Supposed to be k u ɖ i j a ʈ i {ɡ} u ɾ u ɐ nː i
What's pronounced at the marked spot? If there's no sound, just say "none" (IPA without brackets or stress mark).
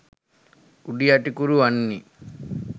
k